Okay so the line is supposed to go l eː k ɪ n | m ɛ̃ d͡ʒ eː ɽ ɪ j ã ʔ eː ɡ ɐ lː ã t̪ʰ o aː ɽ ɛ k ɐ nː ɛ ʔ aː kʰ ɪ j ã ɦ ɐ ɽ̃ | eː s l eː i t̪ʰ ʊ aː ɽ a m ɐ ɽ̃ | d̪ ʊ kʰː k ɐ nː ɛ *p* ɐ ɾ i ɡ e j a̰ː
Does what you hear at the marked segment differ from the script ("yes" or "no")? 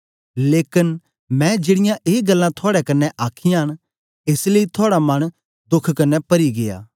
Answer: no